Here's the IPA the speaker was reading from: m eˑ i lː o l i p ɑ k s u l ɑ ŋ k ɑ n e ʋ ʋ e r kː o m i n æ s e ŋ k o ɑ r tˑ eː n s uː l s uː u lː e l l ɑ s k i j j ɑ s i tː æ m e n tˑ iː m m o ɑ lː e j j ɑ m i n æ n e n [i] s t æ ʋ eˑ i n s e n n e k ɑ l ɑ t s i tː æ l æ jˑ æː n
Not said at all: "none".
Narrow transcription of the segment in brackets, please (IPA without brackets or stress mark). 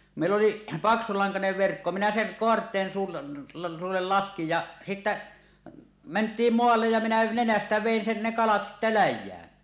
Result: æ